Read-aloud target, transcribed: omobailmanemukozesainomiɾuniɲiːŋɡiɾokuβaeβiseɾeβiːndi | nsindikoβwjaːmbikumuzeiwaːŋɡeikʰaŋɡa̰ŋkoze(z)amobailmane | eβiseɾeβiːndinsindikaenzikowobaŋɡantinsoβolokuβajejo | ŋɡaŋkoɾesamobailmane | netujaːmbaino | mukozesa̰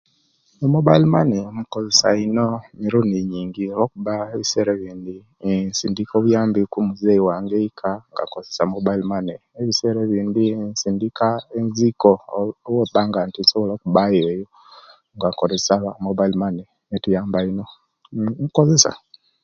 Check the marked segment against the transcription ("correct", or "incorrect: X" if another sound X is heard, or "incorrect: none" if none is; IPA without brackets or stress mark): incorrect: s